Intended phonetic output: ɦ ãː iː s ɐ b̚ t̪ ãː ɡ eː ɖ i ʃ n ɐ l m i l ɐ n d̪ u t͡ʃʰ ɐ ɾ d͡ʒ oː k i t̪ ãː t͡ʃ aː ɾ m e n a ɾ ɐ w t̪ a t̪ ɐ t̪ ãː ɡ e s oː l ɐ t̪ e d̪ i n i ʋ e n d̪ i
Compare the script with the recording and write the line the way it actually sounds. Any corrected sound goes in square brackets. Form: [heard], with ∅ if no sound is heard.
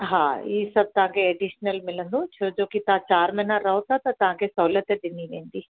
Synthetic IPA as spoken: ɦ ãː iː s ɐ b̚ t̪ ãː ɡ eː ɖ i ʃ n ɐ l m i l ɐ n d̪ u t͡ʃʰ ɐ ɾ d͡ʒ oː k i t̪ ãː t͡ʃ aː ɾ m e n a ɾ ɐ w t̪ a t̪ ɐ t̪ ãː ɡ e s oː l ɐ t̪ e d̪ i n i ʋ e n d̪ i